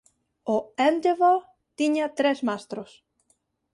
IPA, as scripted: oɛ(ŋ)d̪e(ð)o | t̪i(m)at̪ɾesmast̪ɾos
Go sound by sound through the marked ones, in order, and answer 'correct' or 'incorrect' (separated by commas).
incorrect, incorrect, incorrect